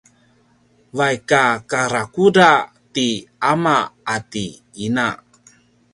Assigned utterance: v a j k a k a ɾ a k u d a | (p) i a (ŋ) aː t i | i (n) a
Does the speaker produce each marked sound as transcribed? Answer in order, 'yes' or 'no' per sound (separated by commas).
no, no, yes